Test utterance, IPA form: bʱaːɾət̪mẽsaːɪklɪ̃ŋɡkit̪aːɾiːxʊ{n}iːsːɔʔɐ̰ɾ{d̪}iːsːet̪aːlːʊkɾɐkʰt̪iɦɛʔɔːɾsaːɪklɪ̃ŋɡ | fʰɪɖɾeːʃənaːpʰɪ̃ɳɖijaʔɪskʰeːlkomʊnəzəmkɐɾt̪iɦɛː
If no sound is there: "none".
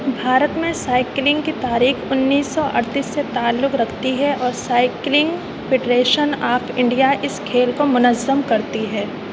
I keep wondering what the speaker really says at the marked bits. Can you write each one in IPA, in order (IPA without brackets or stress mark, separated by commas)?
nː, t̪